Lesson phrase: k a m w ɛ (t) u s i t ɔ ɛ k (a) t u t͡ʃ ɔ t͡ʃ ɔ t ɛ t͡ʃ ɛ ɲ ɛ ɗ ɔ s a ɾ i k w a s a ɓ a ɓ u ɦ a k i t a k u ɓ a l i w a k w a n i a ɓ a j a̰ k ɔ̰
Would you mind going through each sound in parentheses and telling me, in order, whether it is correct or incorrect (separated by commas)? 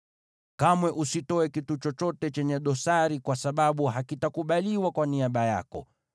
incorrect, incorrect